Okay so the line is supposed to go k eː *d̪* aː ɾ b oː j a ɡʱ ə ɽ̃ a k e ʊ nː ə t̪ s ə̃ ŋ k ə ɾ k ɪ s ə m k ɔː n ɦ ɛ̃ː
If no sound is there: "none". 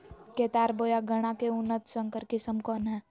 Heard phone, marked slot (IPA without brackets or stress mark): t̪